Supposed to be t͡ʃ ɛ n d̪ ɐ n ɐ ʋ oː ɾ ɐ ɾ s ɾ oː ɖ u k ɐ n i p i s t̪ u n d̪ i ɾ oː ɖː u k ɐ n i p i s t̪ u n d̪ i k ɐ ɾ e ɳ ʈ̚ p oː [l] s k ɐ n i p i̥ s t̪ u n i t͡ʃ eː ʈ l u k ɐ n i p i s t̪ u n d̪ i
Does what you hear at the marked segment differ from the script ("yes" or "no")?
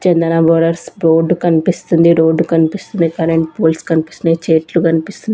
no